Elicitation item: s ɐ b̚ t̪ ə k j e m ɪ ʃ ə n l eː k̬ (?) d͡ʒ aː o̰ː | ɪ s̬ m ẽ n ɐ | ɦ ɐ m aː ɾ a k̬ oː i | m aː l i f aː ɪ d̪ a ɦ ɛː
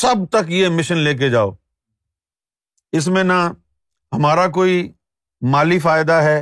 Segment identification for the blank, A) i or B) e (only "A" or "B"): B